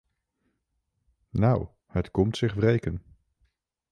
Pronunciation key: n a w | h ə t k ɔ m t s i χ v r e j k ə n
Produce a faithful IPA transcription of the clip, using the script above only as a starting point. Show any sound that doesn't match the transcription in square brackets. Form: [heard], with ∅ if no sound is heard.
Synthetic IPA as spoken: n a w | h ə t k ɔ m t s [ɪ] χ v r e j k ə n